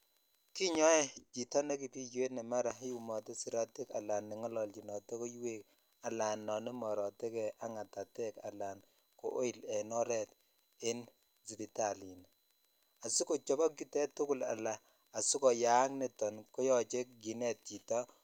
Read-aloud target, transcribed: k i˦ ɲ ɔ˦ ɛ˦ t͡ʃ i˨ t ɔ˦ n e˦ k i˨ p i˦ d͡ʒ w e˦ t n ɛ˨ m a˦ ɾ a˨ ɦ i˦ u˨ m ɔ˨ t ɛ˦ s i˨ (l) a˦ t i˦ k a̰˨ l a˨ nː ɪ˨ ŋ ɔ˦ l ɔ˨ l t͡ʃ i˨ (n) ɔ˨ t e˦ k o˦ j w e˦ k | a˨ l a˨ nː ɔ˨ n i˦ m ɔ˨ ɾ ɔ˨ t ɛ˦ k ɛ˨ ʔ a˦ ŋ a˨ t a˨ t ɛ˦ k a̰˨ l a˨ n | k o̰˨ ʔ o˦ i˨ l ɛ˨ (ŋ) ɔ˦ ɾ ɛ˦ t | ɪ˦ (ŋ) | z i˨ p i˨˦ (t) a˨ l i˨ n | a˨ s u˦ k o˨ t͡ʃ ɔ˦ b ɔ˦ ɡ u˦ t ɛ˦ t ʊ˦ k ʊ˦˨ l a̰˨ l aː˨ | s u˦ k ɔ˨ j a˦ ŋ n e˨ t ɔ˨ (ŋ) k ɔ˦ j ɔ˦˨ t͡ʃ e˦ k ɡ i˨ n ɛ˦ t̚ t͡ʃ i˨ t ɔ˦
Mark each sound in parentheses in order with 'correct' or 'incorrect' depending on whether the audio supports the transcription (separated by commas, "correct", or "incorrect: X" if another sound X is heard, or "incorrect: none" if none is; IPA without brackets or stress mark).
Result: incorrect: ɾ, correct, incorrect: n, incorrect: n, correct, incorrect: n